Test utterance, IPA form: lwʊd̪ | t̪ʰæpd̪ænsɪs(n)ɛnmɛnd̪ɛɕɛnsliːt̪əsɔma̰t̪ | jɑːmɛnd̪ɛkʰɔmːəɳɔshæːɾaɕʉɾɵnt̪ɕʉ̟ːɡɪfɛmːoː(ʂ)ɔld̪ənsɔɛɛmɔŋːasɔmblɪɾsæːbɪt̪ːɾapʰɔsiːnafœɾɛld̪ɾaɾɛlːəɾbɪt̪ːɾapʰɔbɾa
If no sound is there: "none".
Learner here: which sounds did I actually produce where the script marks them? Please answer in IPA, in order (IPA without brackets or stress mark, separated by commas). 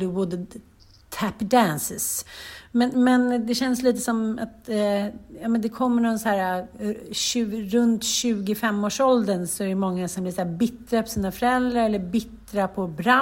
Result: m, ʂ